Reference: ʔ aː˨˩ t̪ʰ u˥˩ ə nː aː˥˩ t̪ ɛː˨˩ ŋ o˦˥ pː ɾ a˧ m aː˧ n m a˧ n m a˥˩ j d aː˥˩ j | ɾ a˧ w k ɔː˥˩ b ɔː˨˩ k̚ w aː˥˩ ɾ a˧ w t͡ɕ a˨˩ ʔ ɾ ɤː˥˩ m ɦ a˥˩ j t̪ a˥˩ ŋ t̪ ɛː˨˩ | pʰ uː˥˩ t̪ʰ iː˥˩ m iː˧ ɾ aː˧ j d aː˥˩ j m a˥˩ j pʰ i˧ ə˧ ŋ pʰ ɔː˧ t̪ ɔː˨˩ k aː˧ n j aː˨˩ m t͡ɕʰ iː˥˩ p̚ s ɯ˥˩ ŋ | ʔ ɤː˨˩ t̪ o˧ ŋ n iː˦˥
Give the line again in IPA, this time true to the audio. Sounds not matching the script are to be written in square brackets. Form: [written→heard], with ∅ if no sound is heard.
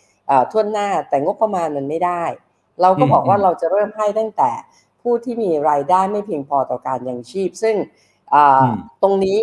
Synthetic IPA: ʔ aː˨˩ t̪ʰ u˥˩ ə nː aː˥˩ t̪ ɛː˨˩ ŋ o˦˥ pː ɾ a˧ m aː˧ n m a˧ n m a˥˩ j d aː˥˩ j | ɾ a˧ w k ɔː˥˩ b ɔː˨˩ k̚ w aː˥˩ ɾ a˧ w t͡ɕ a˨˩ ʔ ɾ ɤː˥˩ m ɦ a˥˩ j t̪ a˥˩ ŋ t̪ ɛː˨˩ | pʰ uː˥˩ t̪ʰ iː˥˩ m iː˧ ɾ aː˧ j d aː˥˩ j m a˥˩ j pʰ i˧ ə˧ ŋ pʰ ɔː˧ t̪ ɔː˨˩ k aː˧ n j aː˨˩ [m→ŋ] t͡ɕʰ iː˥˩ p̚ s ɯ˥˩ ŋ | ʔ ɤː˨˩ t̪ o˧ ŋ n iː˦˥